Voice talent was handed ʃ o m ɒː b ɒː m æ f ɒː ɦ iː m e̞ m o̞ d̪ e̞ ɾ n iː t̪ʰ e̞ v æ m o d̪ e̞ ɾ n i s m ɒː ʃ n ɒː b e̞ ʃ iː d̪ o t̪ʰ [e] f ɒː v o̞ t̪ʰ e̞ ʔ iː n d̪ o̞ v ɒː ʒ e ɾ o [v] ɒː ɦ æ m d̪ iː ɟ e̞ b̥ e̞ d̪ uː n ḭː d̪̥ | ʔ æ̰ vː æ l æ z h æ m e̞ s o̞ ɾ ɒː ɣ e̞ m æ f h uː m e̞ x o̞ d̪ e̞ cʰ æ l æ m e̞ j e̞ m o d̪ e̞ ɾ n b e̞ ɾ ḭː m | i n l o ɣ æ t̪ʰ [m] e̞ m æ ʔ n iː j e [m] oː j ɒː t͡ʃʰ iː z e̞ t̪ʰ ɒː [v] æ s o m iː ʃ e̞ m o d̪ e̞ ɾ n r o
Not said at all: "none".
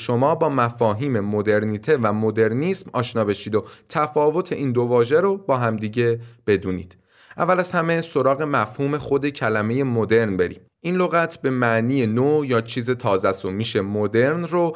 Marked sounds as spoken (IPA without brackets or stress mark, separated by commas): æ, b, b, n, z